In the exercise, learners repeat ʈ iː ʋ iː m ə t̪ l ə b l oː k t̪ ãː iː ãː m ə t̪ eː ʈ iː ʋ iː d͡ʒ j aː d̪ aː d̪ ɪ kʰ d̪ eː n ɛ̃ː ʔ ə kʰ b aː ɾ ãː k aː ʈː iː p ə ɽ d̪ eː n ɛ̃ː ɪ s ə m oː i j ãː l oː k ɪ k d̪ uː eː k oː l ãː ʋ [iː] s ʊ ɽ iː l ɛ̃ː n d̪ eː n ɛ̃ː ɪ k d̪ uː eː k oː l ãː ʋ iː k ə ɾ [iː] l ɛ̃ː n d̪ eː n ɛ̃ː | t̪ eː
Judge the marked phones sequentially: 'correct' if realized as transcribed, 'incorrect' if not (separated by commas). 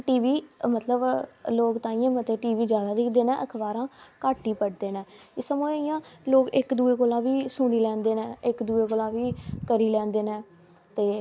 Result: correct, correct